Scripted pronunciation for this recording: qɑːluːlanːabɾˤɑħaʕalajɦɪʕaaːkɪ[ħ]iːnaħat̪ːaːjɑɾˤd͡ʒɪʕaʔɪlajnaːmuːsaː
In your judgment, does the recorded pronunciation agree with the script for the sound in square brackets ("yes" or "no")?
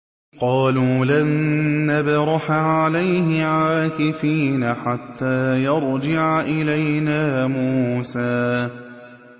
no